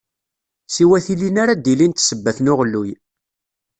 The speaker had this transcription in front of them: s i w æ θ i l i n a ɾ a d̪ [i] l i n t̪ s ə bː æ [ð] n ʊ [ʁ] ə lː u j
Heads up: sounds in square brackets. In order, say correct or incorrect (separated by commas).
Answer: correct, incorrect, correct